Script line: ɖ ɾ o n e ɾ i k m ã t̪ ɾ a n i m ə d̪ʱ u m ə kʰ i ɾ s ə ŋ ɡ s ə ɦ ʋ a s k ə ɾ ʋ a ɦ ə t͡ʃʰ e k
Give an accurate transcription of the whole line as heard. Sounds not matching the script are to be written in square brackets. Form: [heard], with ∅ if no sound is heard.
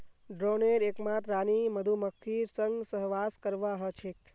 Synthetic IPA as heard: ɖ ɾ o n e ɾ [e] k m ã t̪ ɾ a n i m ə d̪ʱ u m ə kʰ i ɾ s ə ŋ ɡ s ə ɦ ʋ a s k ə ɾ ʋ a ɦ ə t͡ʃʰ e k